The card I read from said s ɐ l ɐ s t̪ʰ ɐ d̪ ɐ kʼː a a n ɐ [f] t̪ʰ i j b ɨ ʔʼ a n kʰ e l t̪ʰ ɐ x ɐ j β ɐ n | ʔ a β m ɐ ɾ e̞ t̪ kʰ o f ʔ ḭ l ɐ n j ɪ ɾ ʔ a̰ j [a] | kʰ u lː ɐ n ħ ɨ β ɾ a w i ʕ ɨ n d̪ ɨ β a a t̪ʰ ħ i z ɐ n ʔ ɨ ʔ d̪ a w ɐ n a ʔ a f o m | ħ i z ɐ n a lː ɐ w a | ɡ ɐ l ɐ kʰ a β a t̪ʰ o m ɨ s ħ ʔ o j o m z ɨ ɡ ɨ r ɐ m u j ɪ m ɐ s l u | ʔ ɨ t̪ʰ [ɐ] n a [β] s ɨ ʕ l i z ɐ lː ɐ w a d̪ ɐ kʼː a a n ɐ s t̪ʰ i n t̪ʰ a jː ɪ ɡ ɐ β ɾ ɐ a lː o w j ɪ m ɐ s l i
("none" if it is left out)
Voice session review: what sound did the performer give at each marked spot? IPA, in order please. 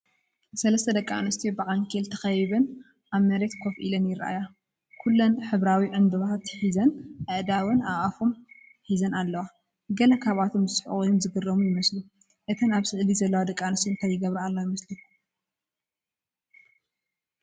s, a, ɐ, β

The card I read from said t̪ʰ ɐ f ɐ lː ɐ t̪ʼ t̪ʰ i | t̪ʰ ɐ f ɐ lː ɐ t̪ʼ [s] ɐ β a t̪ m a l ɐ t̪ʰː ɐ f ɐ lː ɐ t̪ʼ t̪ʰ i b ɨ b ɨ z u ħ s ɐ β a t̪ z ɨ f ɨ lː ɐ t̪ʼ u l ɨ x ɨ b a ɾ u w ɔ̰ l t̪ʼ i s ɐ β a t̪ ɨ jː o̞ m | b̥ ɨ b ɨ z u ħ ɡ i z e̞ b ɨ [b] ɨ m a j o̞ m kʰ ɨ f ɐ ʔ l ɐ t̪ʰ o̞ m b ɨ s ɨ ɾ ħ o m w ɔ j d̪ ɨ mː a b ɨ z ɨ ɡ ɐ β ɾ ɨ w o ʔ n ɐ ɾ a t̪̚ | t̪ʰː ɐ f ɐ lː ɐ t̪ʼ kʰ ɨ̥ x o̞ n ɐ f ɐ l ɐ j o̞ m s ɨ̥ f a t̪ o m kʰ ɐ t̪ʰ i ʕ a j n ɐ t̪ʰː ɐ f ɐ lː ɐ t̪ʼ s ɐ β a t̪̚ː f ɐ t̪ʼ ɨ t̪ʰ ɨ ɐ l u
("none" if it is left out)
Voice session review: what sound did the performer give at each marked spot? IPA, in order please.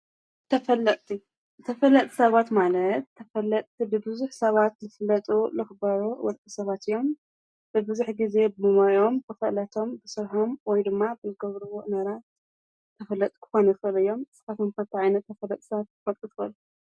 s, m

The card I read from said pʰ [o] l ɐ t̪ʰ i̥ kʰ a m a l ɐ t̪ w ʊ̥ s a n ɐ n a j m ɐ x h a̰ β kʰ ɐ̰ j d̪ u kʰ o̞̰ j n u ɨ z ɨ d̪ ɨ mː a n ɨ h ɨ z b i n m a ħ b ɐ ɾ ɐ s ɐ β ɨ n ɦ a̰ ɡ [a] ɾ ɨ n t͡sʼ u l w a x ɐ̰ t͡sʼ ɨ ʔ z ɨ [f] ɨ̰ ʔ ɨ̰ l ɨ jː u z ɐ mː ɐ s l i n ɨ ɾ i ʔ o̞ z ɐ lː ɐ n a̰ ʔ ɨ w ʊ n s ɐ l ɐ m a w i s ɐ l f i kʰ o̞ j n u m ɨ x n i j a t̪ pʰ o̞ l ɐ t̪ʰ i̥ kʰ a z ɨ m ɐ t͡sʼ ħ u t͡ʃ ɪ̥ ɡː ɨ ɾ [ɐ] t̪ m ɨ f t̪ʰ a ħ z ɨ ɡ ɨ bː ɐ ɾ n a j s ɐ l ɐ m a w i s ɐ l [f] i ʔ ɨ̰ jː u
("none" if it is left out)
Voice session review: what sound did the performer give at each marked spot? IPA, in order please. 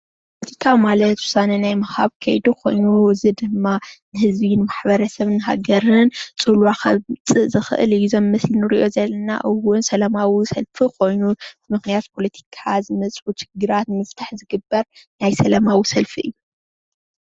o, ɐ, x, a, f

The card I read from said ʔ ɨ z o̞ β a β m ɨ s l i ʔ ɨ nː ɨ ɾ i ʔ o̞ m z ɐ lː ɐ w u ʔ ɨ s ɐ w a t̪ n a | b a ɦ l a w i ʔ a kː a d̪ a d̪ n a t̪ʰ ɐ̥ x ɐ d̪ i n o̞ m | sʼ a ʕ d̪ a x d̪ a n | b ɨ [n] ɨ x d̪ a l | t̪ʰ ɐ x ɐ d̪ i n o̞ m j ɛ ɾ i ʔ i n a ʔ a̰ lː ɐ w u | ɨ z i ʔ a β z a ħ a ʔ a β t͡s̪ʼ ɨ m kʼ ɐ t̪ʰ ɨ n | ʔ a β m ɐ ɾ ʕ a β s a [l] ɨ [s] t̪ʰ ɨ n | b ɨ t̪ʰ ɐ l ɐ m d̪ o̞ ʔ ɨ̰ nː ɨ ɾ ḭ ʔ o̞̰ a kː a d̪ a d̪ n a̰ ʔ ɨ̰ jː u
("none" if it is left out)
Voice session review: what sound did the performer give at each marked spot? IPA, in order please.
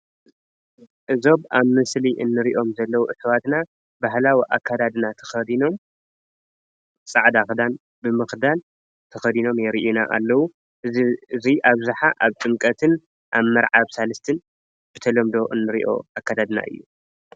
m, l, s

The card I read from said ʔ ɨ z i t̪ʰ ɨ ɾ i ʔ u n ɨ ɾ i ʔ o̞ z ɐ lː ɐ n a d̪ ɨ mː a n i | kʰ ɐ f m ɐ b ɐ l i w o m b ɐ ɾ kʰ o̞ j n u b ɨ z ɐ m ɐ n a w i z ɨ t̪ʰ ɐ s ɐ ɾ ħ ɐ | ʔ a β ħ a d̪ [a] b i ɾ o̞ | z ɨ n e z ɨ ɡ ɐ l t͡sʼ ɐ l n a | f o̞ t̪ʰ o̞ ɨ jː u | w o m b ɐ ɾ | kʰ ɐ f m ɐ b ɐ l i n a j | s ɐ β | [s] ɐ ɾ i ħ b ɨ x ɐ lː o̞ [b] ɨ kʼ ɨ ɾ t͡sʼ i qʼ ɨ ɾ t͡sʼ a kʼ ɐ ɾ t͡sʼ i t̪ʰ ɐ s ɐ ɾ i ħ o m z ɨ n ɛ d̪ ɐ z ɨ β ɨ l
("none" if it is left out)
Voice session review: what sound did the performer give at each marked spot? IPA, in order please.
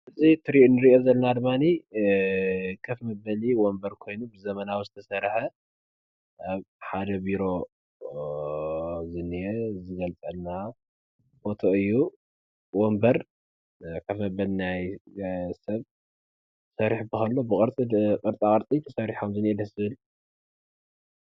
ɐ, s, b

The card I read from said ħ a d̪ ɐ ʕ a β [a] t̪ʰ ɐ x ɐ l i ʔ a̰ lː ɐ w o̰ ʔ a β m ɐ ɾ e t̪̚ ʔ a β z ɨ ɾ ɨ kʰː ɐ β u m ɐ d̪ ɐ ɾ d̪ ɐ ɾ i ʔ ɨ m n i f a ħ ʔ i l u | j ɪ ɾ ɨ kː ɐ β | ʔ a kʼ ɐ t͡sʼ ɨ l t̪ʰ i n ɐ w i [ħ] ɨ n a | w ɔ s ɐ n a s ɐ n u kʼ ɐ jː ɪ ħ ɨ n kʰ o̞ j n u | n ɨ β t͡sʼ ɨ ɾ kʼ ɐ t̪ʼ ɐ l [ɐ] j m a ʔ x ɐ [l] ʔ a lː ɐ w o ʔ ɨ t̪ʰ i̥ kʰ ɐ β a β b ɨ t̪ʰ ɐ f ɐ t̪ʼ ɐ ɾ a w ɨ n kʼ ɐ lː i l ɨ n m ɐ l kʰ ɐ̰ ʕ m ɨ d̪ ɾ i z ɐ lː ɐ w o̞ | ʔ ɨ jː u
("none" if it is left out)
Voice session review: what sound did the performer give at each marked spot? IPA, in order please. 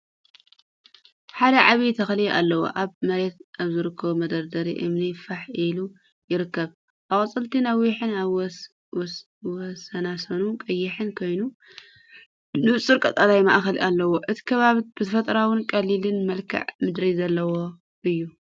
i, ħ, a, l

